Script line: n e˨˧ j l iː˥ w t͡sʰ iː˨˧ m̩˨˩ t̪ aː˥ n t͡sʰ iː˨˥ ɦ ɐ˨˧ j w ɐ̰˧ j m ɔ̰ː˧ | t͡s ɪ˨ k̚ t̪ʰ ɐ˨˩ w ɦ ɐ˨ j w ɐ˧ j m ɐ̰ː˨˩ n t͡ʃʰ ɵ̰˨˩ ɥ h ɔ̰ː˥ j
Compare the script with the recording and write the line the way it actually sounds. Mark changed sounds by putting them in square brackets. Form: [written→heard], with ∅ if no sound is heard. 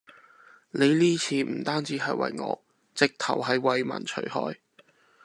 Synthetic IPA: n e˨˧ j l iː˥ [w→∅] t͡sʰ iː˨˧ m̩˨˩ t̪ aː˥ n [t͡sʰ→t͡s] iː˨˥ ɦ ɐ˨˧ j w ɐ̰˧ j [m→ŋ] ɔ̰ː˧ | t͡s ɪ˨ k̚ t̪ʰ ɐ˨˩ w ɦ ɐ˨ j w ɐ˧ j m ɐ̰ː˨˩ n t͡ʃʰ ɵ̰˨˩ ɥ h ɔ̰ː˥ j

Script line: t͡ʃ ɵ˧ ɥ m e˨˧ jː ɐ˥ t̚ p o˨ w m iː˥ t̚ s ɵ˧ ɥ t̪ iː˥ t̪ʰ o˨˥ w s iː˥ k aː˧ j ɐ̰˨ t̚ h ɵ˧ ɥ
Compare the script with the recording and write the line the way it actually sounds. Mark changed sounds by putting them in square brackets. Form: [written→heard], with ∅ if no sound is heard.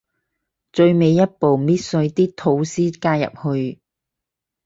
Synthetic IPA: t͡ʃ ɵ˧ ɥ m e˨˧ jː ɐ˥ t̚ p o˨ w m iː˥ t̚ s ɵ˧ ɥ t̪ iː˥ t̪ʰ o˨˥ w s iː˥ k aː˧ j ɐ̰˨ [t̚→p̚] h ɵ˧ ɥ

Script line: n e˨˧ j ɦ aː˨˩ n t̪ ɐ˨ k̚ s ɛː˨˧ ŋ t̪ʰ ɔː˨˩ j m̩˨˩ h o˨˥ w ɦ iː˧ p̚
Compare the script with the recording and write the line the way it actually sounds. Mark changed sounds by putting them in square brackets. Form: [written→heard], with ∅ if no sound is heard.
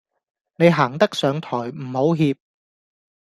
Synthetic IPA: n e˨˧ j ɦ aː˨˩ [n→ŋ] t̪ [ɐ˨→ɐ˥] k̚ s [ɛː˨˧→œː˨˧] ŋ t̪ʰ ɔː˨˩ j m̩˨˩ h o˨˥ w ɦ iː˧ p̚

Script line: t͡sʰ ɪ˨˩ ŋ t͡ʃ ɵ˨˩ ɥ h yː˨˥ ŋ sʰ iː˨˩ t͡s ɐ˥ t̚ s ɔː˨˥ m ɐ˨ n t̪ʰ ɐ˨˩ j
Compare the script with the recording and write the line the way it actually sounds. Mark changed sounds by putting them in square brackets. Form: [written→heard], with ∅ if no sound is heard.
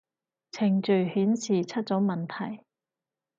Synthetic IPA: t͡sʰ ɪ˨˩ ŋ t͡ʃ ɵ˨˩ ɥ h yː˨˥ [ŋ→n] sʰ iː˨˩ [t͡s→t͡sʰ] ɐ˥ t̚ [s→t͡s] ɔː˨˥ m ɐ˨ n t̪ʰ ɐ˨˩ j

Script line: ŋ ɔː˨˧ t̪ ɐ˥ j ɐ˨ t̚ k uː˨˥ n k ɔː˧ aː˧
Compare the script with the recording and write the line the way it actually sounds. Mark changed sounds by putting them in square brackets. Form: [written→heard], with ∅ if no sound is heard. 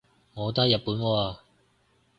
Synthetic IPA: ŋ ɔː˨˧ t̪ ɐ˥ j ɐ˨ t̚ [k→p] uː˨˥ n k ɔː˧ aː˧

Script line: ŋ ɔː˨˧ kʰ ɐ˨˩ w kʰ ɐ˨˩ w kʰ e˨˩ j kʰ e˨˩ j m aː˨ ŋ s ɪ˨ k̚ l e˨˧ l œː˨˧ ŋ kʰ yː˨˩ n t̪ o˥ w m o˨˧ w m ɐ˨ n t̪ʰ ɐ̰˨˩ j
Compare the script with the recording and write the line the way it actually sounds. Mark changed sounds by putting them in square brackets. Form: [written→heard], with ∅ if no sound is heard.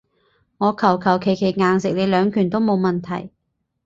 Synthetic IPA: ŋ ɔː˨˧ kʰ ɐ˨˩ w kʰ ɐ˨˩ w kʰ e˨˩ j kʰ e˨˩ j [m→ŋ] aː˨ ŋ s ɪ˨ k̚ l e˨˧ l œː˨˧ ŋ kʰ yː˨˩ n t̪ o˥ w m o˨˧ w m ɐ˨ n t̪ʰ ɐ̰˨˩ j

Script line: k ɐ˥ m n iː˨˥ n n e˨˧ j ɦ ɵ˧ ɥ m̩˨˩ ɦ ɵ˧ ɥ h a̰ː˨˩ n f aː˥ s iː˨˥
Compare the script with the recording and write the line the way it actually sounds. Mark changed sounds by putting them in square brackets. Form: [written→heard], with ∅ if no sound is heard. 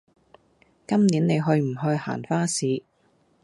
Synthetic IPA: k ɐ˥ m n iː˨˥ n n e˨˧ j ɦ ɵ˧ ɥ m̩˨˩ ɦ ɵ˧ ɥ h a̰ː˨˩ n f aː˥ s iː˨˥

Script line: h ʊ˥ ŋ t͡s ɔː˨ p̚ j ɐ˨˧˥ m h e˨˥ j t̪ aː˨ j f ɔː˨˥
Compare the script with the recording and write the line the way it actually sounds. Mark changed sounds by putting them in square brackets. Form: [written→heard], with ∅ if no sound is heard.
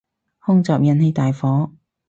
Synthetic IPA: h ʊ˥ ŋ t͡s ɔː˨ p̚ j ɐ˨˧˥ [m→n] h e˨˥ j t̪ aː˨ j f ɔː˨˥

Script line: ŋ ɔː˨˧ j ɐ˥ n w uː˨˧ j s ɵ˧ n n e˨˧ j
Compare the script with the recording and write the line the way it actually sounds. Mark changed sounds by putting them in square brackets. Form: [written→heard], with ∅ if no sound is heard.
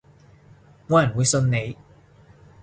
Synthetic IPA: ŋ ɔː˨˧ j [ɐ˥→ɐ˨˩] n w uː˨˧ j s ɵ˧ n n e˨˧ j

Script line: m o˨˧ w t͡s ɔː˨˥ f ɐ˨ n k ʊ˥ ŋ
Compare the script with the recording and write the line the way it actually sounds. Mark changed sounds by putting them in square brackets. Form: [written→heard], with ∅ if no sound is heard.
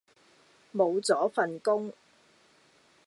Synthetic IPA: m o˨˧ w t͡s ɔː˨˥ f ɐ˨ n k ʊ˥ ŋ

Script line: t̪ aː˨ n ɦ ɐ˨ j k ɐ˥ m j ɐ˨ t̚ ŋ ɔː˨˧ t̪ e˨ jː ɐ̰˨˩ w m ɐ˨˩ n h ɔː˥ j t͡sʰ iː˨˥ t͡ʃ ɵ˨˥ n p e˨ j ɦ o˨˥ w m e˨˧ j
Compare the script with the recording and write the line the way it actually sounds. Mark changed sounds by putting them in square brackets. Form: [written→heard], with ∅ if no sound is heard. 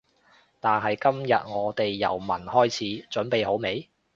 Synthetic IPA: t̪ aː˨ n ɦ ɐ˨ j k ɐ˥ m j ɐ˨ t̚ ŋ ɔː˨˧ t̪ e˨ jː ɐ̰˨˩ w m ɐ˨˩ n h ɔː˥ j t͡sʰ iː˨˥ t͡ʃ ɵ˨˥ n p e˨ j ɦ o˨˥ w m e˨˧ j

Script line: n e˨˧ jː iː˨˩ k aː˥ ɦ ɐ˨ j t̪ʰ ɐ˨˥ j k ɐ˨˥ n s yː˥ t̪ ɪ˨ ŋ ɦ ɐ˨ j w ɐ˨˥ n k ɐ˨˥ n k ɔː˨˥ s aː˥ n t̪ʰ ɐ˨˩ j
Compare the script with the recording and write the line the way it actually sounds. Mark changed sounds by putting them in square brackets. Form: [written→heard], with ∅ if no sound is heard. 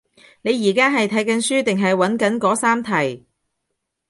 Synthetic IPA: n e˨˧ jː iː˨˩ k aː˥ ɦ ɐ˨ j t̪ʰ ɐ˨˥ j k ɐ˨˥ n s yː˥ t̪ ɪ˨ ŋ ɦ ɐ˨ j w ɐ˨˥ n k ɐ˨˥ n k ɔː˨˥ s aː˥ [n→m] t̪ʰ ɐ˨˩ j

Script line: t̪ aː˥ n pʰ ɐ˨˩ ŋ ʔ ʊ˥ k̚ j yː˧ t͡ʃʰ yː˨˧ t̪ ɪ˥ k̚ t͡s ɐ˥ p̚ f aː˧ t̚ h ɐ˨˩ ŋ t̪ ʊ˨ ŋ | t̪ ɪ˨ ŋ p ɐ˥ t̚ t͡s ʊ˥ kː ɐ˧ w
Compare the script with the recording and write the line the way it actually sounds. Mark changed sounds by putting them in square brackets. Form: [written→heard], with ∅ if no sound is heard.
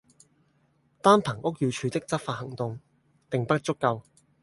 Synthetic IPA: t̪ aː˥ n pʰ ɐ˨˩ ŋ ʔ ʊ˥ k̚ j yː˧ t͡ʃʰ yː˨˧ t̪ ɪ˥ k̚ t͡s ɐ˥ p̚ f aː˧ t̚ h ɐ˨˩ ŋ t̪ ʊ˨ ŋ | t̪ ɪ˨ ŋ p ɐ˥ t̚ t͡s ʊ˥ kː ɐ˧ w

